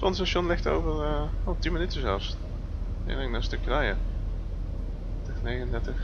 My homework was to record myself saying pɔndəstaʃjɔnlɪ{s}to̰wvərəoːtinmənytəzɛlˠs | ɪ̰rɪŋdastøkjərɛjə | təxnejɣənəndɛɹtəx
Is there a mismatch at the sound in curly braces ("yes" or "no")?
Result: yes